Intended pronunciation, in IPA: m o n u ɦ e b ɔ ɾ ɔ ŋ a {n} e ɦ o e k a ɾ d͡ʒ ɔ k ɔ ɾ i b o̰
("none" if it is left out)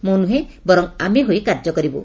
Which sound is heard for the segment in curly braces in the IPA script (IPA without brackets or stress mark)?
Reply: m